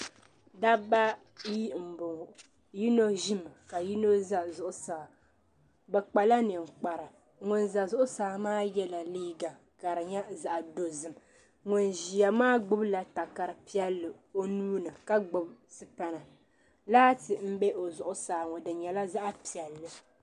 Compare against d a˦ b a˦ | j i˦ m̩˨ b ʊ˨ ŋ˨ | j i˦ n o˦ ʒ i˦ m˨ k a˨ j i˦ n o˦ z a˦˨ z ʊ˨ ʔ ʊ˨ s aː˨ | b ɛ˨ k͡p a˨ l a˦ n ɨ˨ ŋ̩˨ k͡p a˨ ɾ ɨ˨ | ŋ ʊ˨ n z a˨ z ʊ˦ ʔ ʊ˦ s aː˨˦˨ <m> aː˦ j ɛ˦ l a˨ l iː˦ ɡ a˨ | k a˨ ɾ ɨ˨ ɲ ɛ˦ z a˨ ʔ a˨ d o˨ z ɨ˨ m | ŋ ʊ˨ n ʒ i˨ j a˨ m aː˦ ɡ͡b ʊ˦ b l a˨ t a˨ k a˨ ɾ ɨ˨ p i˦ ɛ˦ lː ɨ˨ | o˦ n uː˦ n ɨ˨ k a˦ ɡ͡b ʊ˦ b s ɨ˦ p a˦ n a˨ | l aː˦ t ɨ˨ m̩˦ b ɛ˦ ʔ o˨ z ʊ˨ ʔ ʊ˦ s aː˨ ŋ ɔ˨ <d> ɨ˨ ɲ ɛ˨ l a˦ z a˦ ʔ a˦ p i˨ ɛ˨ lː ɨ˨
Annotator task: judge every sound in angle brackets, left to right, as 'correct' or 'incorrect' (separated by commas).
correct, correct